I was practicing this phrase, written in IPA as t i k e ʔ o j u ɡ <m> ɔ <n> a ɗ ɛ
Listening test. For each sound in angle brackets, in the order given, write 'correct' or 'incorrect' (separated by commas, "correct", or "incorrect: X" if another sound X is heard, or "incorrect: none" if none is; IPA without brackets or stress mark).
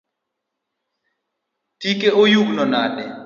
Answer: incorrect: n, correct